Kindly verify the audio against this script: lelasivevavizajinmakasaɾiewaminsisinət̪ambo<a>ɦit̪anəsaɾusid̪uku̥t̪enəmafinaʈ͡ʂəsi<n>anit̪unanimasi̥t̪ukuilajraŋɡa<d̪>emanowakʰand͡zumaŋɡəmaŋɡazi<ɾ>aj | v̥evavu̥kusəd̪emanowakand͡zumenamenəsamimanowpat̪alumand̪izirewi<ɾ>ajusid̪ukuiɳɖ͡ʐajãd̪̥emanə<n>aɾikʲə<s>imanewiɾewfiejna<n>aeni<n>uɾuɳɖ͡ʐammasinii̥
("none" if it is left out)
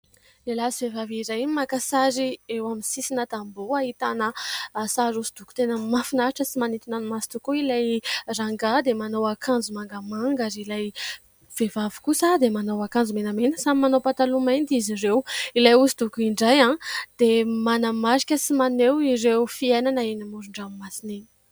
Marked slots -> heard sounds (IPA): a, m, d̪, l, l, m, s, n, m

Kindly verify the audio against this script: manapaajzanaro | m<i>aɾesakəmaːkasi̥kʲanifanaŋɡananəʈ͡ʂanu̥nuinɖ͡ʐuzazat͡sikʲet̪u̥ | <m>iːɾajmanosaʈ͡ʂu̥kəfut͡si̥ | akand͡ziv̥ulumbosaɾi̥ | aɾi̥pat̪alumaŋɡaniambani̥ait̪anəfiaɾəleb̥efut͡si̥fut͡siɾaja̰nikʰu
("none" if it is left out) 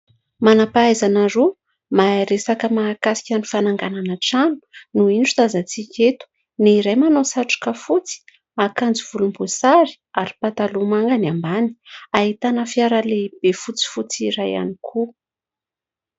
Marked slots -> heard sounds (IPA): a, n

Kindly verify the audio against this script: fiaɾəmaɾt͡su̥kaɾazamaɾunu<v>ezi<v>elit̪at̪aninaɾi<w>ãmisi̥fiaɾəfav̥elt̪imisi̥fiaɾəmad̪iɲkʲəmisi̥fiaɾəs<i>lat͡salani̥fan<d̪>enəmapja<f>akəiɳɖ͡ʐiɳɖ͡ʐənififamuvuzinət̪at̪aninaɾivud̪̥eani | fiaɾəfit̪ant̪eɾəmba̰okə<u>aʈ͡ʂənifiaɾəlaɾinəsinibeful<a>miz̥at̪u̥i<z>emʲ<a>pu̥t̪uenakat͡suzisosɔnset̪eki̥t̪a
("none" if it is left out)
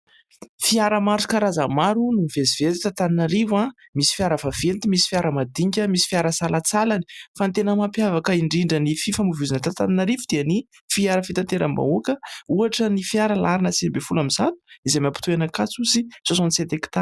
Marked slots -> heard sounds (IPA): v, v, v, a, t̪, v, u, a, z, a

